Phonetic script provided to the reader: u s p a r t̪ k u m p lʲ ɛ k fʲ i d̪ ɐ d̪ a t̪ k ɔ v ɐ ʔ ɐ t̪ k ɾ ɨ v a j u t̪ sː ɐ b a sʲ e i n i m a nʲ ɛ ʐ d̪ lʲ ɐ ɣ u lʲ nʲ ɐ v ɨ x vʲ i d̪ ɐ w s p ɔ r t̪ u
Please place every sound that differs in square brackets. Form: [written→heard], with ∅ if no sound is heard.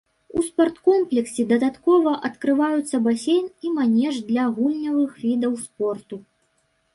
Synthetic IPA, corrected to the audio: u s p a r t̪ k [u→ɔ] m p lʲ ɛ k [fʲ→sʲ] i d̪ ɐ d̪ a t̪ k ɔ v ɐ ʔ ɐ t̪ k ɾ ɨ v a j u t̪ sː ɐ b a sʲ e [i→j] n i m a nʲ ɛ ʐ d̪ lʲ ɐ ɣ u lʲ nʲ ɐ v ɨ x vʲ i d̪ ɐ w s p ɔ r t̪ u